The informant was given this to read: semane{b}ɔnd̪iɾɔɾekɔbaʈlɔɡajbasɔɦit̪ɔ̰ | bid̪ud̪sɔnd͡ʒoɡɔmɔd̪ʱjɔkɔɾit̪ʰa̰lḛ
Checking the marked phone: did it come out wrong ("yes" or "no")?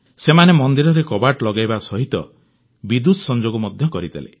yes